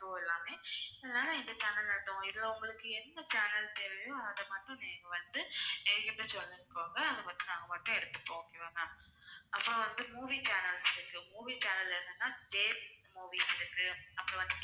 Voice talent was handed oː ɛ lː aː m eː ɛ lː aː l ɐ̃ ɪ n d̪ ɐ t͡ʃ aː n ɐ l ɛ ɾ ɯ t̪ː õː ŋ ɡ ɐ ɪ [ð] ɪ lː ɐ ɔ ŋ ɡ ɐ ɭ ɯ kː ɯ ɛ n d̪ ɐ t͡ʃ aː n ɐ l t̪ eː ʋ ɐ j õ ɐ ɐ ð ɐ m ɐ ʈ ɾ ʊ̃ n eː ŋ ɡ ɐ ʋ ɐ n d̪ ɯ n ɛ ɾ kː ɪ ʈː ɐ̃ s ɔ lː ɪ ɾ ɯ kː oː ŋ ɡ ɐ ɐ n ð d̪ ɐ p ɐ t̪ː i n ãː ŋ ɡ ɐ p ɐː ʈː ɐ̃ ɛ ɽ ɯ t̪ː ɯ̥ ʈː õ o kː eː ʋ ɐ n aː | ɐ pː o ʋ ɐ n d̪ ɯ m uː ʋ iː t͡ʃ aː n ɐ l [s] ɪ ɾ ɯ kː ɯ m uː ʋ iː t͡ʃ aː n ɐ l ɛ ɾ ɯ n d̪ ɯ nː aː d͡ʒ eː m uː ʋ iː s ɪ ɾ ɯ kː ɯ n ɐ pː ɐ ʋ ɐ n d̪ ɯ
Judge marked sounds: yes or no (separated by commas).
yes, yes